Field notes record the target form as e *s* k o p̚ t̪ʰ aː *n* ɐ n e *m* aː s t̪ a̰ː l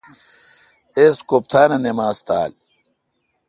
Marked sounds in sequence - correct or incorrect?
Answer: correct, correct, correct

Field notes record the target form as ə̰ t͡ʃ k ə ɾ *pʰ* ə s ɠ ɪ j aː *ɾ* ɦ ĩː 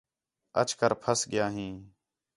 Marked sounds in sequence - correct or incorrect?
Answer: correct, incorrect: none

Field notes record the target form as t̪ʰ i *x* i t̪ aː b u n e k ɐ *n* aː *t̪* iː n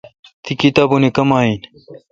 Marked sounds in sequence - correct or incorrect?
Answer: incorrect: k, incorrect: m, incorrect: none

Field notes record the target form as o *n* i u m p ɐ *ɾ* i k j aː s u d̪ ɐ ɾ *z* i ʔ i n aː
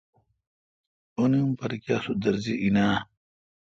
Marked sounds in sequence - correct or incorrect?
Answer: correct, correct, correct

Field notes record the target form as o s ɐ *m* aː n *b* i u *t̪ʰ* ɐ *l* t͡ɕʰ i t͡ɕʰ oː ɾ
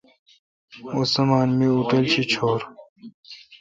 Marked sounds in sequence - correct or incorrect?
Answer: correct, incorrect: m, incorrect: t̪, correct

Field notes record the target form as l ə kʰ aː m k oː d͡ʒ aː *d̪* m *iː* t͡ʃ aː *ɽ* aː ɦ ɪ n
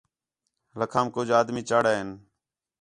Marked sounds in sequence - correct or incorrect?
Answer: correct, correct, correct

